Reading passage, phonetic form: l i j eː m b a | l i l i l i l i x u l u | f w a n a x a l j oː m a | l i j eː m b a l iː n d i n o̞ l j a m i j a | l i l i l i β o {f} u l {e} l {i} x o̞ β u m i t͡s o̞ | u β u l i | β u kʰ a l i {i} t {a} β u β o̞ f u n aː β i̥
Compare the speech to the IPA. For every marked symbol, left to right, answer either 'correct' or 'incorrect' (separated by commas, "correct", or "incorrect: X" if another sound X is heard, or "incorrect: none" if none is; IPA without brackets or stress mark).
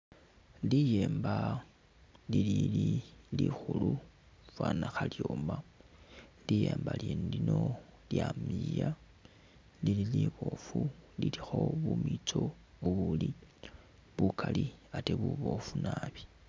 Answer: correct, incorrect: i, correct, incorrect: a, incorrect: e